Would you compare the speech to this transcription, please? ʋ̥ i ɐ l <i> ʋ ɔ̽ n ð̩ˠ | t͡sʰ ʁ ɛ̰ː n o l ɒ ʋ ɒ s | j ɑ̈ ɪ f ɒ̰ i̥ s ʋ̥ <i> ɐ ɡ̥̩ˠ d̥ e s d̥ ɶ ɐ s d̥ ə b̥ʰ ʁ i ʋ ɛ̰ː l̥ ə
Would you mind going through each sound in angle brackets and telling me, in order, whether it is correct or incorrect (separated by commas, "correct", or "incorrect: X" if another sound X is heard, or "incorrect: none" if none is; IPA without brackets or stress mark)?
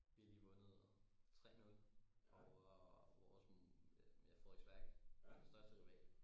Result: incorrect: iː, incorrect: æ